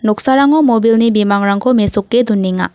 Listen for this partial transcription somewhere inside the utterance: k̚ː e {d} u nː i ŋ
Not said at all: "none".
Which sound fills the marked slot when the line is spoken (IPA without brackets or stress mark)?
d